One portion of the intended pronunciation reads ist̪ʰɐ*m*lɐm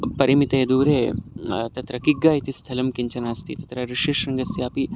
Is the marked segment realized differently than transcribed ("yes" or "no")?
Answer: yes